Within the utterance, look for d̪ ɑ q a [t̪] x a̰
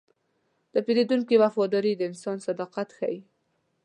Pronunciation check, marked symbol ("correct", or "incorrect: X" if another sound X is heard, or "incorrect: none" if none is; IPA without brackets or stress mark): correct